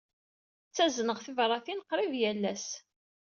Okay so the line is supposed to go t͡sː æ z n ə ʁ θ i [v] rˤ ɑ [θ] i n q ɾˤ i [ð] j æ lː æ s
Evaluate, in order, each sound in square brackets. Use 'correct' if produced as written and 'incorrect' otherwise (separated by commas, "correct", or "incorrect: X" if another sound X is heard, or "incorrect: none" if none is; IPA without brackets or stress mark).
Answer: correct, correct, incorrect: v